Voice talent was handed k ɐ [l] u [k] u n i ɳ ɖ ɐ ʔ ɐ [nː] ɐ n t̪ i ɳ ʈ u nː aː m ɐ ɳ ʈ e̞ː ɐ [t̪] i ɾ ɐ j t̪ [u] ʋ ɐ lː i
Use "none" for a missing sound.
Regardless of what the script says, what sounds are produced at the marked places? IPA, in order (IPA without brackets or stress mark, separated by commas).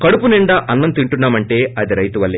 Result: ɽ, p, nː, d̪, u